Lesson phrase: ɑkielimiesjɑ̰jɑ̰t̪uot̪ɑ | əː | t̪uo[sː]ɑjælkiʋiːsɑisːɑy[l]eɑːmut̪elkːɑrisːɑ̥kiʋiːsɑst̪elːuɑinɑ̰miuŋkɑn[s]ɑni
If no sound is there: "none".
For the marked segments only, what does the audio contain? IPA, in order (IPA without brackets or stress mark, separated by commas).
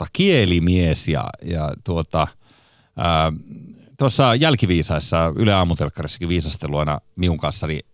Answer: sː, l, sː